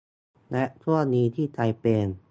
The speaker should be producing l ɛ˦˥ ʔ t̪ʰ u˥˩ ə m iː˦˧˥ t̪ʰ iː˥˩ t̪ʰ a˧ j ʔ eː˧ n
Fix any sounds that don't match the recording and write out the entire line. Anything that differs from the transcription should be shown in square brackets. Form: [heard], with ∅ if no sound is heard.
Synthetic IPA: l ɛ˦˥ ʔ t̪ʰ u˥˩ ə [n] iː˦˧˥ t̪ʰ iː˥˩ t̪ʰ a˧ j [p] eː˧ n